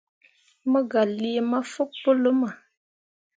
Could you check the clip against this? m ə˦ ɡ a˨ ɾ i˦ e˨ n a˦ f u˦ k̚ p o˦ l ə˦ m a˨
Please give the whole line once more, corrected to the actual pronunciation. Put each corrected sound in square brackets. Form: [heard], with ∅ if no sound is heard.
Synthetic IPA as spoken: m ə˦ ɡ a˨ [l] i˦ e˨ [m] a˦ f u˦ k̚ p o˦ l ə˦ m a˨